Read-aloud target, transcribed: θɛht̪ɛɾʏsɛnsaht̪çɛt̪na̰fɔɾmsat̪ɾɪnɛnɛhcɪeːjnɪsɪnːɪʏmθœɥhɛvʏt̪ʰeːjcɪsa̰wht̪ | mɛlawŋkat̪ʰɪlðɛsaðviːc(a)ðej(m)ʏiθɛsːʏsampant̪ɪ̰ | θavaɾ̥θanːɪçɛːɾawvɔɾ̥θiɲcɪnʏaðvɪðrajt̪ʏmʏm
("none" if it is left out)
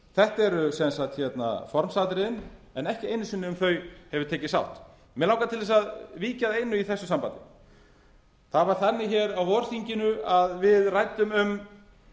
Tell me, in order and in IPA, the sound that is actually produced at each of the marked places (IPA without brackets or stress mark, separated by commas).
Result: a, n